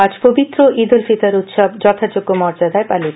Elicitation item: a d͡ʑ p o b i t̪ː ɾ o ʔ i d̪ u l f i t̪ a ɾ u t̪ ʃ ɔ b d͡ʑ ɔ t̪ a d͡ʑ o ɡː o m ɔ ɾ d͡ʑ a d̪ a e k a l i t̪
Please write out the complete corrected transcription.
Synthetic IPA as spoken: a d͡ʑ p o b i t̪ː ɾ o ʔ i d̪ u l f i t̪ a ɾ u t̪ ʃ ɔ b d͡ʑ ɔ t̪ʰ a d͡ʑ o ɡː o m ɔ ɾ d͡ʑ a d̪ a e p a l i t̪